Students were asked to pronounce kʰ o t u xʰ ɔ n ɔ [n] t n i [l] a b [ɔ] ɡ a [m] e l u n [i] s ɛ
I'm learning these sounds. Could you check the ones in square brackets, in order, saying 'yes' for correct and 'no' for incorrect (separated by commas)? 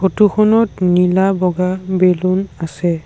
no, yes, yes, no, no